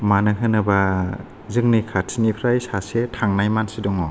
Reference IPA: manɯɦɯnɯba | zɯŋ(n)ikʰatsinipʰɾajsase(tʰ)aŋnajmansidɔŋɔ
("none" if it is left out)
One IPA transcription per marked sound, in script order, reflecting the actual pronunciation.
n, tʰ

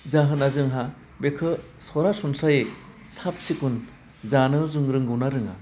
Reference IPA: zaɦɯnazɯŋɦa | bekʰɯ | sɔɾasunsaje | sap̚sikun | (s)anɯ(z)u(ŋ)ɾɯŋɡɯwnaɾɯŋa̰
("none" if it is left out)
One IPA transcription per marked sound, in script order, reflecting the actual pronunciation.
z, z, ŋ

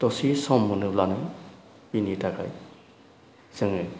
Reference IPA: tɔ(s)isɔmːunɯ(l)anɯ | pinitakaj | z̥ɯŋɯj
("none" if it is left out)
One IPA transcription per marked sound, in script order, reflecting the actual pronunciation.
s, l

